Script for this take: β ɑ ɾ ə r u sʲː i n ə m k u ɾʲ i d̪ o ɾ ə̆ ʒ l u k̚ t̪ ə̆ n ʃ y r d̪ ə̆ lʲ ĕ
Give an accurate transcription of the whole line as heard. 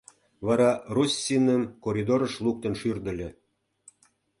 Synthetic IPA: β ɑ ɾ ɑ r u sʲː i n ə m k o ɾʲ i d̪ o ɾ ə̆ ʃ l u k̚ t̪ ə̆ n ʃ y r d̪ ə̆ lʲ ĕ